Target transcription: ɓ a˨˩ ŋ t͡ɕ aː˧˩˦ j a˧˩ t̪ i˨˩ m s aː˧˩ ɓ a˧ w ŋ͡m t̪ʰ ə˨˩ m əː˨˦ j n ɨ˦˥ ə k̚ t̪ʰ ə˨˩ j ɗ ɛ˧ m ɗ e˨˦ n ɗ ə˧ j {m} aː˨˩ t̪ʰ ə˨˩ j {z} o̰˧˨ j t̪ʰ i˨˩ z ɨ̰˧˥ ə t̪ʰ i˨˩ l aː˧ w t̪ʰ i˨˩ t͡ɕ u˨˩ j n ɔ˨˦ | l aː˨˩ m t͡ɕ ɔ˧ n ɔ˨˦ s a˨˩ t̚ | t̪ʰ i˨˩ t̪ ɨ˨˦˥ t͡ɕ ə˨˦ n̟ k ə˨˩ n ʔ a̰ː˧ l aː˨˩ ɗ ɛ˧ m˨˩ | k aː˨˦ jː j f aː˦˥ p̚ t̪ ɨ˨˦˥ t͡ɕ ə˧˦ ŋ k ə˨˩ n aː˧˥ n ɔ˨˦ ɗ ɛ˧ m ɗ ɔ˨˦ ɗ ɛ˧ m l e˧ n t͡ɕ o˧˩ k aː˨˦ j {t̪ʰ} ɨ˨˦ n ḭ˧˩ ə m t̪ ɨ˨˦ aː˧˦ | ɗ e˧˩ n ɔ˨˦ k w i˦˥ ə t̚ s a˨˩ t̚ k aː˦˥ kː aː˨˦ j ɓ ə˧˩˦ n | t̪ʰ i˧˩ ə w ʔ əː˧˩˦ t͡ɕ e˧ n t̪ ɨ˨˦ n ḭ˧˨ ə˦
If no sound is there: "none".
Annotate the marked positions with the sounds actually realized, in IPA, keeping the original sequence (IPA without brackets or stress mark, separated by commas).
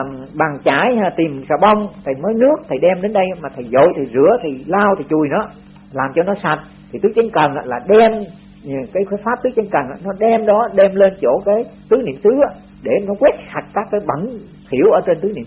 m, z, t̪